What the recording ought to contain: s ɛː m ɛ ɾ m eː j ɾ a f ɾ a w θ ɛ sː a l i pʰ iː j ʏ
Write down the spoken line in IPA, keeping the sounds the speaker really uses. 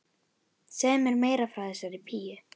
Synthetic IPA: s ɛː m ɛ ɾ m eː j ɾ a f ɾ a w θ ɛ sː a ɾ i pʰ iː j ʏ